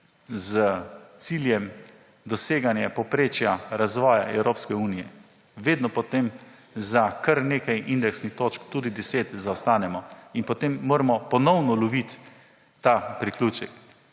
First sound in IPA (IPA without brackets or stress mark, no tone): z